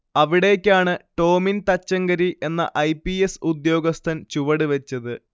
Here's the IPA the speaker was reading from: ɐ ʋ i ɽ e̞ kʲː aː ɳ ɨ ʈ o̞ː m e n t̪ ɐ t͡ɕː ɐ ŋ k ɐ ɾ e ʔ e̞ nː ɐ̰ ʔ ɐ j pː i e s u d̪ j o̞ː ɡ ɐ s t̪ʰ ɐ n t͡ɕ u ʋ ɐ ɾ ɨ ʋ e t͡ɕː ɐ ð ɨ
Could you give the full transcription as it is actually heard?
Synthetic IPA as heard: ɐ ʋ i ɽ e̞ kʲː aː ɳ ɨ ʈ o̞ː m i n t̪ ɐ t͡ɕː ɐ ŋ ɡ ɐ ɾ i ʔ e̞ nː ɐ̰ ʔ ɐ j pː i e s u d̪ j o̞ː ɡ ɐ s t̪ʰ ɐ n t͡ɕ u ʋ ɐ ɽ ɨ ʋ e t͡ɕː ɐ ð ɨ